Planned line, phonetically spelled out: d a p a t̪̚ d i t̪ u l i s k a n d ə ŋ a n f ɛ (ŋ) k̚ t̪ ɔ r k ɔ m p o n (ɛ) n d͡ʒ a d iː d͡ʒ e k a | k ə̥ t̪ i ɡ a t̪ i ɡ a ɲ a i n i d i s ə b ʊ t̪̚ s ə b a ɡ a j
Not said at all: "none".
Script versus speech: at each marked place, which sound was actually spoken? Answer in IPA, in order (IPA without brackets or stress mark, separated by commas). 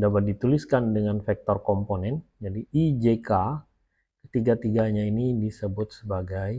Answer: none, ɛ